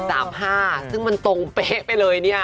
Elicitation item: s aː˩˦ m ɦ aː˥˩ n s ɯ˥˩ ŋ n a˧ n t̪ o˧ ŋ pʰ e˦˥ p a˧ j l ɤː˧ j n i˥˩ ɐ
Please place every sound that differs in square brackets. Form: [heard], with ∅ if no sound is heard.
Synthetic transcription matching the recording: s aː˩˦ m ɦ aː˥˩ [∅] s ɯ˥˩ ŋ [m] a˧ n t̪ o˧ ŋ [p] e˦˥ p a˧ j l ɤː˧ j n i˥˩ ɐ